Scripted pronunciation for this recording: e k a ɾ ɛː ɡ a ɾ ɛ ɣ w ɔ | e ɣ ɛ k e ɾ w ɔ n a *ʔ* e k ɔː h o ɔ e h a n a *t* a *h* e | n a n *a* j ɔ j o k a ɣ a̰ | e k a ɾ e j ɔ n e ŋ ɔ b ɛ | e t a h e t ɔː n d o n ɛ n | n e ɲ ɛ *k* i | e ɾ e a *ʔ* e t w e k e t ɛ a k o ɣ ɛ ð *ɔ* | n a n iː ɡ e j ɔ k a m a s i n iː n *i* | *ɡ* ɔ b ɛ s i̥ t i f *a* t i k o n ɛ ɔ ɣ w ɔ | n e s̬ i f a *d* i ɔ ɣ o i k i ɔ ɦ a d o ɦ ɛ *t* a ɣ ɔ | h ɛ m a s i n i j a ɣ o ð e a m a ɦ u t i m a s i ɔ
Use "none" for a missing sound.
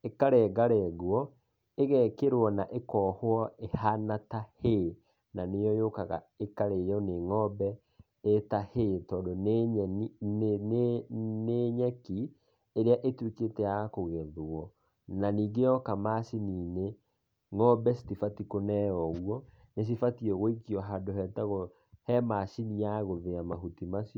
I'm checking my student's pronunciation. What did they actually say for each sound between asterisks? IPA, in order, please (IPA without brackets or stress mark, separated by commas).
ʔ, t, h, e, k, ʔ, ɔ, e, ŋ, a, t, t